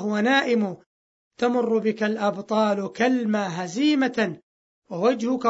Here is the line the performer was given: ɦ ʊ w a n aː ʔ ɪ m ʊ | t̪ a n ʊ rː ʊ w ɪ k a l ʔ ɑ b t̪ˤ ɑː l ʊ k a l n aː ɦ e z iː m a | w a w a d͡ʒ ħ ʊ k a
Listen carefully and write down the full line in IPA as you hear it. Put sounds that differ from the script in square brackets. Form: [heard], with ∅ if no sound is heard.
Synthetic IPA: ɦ ʊ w a n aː ʔ ɪ m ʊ | t̪ a [m] ʊ rː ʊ [b] ɪ k a l ʔ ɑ b t̪ˤ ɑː l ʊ k a l [m] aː ɦ [a] z iː m a | w a w a d͡ʒ [h] ʊ k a